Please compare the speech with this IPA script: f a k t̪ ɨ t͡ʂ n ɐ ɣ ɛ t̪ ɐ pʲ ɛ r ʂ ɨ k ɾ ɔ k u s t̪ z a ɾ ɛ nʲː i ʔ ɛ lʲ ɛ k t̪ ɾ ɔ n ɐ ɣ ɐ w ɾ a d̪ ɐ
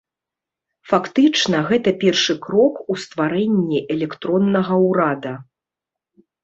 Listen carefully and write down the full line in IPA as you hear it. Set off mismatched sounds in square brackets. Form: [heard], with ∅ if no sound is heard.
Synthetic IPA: f a k t̪ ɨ t͡ʂ n ɐ ɣ ɛ t̪ ɐ pʲ ɛ r ʂ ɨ k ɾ ɔ k u s t̪ [v] a ɾ ɛ nʲː i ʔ ɛ lʲ ɛ k t̪ ɾ ɔ [nː] ɐ ɣ ɐ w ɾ a d̪ ɐ